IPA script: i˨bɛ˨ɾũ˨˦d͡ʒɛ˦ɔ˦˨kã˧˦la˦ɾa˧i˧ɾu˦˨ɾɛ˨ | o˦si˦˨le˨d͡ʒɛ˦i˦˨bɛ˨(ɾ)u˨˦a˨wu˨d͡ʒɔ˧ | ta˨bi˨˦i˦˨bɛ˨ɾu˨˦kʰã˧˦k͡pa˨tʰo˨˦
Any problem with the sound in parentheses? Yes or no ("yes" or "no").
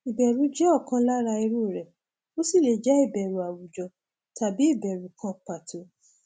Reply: no